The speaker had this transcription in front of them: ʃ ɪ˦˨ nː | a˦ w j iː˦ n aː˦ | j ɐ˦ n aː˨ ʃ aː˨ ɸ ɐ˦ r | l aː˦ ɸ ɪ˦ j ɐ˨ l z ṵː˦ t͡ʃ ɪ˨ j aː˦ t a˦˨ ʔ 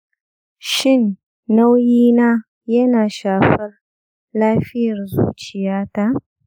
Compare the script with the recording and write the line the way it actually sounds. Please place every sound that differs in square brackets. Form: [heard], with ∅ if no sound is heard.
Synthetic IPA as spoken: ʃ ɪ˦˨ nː | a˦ w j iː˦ n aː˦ | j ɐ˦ n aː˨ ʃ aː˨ ɸ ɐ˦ r | l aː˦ ɸ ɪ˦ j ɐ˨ [r] z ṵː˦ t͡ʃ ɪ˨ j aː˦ t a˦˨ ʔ